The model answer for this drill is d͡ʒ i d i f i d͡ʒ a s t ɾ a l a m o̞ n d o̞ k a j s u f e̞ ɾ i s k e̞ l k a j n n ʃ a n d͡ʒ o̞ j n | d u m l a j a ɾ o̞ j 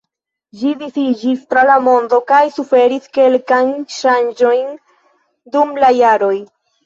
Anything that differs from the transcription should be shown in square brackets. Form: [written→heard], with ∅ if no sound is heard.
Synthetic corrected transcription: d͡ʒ i d i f i d͡ʒ [a→i] s t ɾ a l a m o̞ n d o̞ k a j s u f e̞ ɾ i s k e̞ l k a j n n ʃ a n d͡ʒ o̞ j n | d u m l a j a ɾ o̞ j